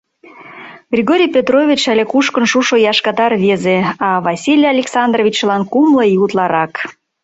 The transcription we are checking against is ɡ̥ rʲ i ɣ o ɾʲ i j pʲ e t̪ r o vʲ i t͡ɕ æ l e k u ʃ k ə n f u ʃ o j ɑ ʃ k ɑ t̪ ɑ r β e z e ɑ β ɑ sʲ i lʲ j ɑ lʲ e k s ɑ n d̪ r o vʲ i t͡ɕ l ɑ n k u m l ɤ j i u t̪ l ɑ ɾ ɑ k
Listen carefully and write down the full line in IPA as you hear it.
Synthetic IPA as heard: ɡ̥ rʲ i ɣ o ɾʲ i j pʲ e t̪ r o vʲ i t͡ɕ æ l e k u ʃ k ə n ʃ u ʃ o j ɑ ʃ k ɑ t̪ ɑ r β e z e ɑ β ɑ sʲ i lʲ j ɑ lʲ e k s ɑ n d̪ r o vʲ i t͡ɕ l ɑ n k u m l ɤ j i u t̪ l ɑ ɾ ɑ k